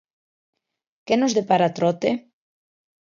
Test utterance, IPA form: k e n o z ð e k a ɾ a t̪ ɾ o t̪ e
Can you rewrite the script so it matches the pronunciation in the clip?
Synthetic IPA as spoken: k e n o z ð e p a ɾ a t̪ ɾ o t̪ e